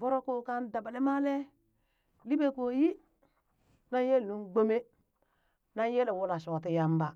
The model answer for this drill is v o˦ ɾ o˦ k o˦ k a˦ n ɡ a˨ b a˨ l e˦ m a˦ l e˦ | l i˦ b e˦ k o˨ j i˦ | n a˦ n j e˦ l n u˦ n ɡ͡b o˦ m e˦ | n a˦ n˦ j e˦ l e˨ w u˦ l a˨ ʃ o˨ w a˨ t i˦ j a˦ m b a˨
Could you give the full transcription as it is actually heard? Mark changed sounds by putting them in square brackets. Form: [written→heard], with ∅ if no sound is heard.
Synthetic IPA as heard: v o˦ ɾ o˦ k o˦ k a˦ n [ɡ→d] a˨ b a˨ l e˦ m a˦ l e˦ | l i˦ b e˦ k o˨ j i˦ | n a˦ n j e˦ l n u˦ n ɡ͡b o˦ m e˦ | n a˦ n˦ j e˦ l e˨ w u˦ l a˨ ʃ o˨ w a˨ t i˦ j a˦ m b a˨